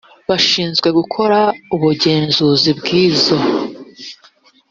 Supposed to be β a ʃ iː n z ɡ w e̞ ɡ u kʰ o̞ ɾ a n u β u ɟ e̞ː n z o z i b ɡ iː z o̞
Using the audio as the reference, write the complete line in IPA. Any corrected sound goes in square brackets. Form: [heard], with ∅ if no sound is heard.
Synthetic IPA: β a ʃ iː n z ɡ w e̞ ɡ u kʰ o̞ ɾ a [∅] u β u ɟ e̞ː n z [u] z i b ɡ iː z o̞